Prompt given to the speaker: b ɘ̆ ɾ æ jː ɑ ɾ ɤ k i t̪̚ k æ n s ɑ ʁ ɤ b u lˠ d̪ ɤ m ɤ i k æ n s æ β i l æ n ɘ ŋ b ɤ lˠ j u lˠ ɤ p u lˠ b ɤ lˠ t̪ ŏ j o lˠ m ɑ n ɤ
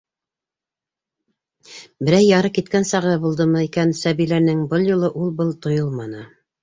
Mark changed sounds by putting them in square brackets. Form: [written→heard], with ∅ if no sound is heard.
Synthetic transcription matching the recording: b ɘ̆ ɾ æ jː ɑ ɾ ɤ k i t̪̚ k æ n s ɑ ʁ ɤ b u lˠ d̪ ɤ m ɤ i k æ n s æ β i l æ n ɘ ŋ b ɤ lˠ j u lˠ ɤ [p→ʔ] u lˠ b ɤ lˠ t̪ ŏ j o lˠ m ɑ n ɤ

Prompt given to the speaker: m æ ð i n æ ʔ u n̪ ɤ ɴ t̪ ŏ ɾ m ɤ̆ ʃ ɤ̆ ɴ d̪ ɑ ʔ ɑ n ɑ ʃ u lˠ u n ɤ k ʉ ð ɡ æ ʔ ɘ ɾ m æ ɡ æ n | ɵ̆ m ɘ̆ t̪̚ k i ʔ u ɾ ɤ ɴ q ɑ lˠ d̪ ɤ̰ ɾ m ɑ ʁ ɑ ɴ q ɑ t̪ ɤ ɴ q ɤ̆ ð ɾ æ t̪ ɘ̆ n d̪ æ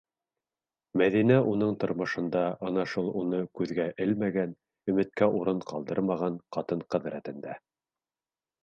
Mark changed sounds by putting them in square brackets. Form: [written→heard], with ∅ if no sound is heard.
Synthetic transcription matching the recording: m æ ð i n æ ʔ u n̪ ɤ ɴ t̪ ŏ ɾ m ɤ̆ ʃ ɤ̆ [ɴ→n] d̪ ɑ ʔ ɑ n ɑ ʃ u lˠ u n ɤ k ʉ ð ɡ æ ʔ ɘ [ɾ→l] m æ ɡ æ n | ɵ̆ m ɘ̆ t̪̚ k [i→æ] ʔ u ɾ ɤ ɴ q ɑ lˠ d̪ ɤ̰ ɾ m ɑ ʁ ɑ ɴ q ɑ t̪ ɤ ɴ q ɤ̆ ð ɾ æ t̪ ɘ̆ n d̪ æ

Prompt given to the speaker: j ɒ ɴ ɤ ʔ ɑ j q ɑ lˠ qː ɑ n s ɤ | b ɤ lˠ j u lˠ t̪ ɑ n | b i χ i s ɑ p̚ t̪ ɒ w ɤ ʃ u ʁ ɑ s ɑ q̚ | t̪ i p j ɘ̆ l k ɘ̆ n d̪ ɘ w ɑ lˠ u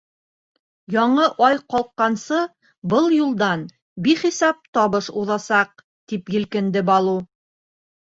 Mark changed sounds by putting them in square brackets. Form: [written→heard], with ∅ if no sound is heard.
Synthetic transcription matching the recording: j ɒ ɴ ɤ ʔ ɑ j q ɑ lˠ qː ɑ n s ɤ | b ɤ lˠ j u lˠ [t̪→d̪] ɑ n | b i χ i s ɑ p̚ t̪ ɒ [w→β] ɤ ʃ u [ʁ→ð] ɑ s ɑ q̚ | t̪ i p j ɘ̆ l k ɘ̆ n d̪ ɘ [w→b] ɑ lˠ u

